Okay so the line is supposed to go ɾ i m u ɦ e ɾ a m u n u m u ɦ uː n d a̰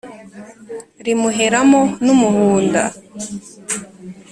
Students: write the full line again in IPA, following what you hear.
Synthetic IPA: ɾ i m u ɦ e ɾ a m o n u m u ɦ uː n d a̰